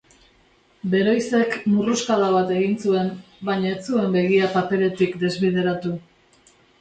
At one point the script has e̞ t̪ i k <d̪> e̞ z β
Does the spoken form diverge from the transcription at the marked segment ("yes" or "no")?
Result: no